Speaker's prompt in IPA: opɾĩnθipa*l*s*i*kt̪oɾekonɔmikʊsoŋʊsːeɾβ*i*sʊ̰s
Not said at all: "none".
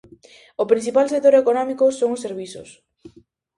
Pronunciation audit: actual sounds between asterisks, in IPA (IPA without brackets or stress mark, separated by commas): l, e, i